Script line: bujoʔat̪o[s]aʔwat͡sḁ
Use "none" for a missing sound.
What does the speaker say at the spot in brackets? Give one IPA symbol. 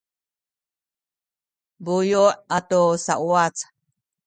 s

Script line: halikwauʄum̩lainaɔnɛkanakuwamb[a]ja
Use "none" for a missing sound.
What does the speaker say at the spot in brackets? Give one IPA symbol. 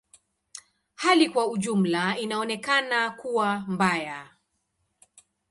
a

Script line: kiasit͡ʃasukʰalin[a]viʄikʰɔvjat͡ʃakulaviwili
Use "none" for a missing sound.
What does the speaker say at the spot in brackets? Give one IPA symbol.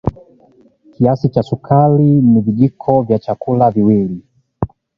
i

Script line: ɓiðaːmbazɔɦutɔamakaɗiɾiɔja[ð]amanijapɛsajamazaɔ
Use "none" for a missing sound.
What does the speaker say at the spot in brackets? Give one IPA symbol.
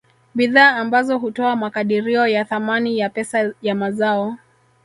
θ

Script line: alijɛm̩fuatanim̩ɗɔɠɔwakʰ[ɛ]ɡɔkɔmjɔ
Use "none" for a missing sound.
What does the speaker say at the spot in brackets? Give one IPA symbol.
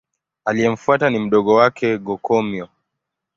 ɛ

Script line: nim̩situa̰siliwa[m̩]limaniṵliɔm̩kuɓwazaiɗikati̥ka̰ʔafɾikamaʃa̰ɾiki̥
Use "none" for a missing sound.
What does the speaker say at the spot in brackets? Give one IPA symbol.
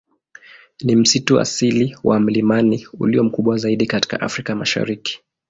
m̩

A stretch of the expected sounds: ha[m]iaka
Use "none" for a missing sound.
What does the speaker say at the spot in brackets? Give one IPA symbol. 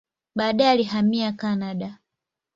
m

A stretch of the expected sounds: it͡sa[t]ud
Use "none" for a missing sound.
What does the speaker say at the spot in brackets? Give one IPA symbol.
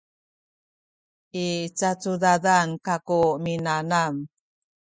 t͡s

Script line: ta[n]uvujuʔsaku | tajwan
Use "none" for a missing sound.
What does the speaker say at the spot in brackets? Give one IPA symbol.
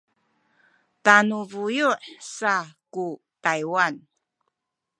n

